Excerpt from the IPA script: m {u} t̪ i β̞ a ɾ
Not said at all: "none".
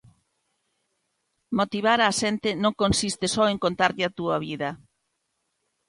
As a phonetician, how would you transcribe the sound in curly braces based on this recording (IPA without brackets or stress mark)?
o